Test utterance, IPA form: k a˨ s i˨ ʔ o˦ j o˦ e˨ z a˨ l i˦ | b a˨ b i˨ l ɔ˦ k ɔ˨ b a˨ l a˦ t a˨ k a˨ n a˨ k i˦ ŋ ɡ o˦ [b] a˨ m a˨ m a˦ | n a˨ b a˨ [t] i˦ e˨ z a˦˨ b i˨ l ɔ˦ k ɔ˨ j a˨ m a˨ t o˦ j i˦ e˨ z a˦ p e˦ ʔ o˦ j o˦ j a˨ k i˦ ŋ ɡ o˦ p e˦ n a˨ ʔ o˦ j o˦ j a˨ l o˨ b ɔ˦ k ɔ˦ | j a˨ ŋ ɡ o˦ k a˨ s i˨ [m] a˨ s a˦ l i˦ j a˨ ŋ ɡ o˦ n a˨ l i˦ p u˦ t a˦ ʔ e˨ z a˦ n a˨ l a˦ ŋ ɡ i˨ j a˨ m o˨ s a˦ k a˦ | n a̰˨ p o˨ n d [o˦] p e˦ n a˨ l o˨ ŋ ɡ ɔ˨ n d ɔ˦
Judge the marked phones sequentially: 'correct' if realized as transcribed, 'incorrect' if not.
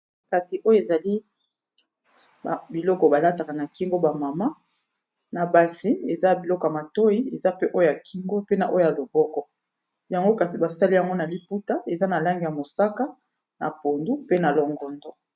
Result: correct, incorrect, incorrect, incorrect

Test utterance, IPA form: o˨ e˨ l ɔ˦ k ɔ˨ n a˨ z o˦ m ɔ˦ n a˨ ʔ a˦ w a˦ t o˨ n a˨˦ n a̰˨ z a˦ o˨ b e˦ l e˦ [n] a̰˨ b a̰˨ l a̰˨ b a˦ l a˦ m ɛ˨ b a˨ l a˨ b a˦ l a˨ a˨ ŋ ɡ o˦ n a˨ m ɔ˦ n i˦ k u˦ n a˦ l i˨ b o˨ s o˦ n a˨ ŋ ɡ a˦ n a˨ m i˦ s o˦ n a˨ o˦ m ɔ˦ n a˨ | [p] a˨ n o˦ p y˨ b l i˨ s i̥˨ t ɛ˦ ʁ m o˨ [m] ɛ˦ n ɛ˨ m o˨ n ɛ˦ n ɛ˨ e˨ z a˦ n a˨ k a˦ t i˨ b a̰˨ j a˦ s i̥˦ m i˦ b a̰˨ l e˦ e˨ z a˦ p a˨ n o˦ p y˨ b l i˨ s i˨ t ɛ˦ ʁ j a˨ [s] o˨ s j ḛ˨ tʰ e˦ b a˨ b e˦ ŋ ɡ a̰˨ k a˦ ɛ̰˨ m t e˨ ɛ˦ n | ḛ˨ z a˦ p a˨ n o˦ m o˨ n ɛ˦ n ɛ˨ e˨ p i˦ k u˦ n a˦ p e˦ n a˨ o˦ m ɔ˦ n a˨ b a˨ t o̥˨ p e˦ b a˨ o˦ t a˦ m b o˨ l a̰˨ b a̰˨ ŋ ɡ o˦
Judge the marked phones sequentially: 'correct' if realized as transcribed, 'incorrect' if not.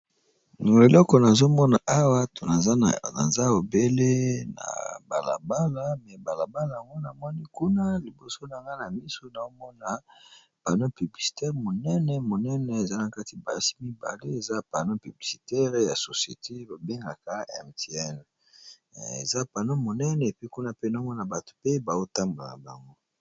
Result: correct, correct, incorrect, correct

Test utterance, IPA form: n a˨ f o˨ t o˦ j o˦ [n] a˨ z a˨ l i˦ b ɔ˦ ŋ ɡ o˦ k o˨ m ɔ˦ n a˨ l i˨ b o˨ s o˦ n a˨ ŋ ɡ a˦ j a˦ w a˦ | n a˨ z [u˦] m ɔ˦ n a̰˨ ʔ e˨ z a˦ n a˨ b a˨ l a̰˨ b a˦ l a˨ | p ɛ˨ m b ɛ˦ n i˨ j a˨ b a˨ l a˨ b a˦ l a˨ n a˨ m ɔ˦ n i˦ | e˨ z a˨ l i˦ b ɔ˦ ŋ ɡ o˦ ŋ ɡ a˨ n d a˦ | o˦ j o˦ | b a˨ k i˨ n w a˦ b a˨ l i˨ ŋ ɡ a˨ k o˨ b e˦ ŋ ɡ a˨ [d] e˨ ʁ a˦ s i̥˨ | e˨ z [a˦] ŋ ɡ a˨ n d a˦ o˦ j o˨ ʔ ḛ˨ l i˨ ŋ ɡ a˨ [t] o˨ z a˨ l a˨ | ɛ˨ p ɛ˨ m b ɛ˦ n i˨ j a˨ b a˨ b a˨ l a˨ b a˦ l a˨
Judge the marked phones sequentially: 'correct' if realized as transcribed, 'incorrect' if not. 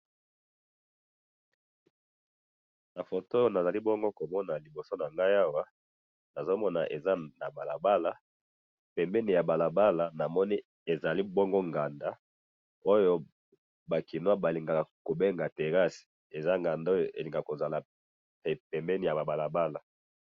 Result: correct, incorrect, incorrect, correct, incorrect

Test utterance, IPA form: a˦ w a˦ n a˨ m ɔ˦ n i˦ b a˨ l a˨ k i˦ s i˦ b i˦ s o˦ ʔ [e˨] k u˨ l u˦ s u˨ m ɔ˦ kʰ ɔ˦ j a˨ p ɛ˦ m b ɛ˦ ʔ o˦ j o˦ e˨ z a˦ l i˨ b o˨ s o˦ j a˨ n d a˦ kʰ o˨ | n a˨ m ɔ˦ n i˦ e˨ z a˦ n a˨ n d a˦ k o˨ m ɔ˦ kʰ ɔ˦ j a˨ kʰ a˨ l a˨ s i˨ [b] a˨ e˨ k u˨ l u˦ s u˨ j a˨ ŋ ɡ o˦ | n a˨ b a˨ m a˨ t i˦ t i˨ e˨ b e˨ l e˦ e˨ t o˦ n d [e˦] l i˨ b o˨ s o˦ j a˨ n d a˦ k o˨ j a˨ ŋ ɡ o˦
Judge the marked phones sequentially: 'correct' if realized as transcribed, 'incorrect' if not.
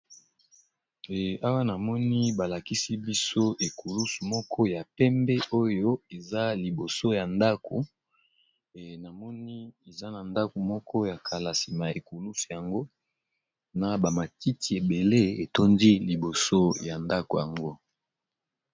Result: correct, incorrect, incorrect

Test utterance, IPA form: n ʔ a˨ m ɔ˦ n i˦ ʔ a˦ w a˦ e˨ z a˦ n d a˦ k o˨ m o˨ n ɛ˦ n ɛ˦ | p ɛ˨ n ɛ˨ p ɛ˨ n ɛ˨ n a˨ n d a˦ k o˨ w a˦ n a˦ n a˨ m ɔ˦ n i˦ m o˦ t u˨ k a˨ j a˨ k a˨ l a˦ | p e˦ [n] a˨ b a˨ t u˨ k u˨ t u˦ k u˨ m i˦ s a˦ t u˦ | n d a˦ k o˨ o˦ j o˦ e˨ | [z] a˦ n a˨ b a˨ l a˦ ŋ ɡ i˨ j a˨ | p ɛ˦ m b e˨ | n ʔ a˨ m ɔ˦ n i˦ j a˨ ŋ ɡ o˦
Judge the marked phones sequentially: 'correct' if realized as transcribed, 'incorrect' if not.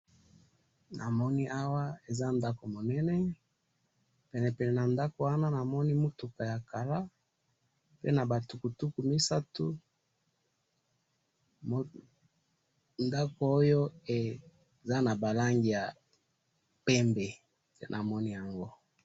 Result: correct, correct

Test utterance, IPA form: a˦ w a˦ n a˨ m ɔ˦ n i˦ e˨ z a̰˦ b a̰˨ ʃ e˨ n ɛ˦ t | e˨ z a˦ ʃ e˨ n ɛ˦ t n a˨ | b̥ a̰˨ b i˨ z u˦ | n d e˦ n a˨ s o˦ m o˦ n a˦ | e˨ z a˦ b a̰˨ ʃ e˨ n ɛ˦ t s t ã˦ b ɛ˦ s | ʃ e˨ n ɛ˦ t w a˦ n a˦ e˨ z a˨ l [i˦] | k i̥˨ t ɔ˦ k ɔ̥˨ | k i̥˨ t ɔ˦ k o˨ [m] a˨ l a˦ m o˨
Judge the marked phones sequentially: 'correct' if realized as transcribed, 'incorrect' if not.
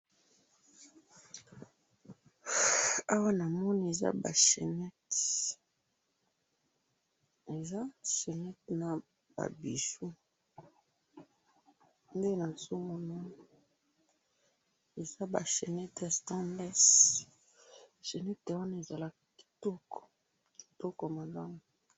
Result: incorrect, correct

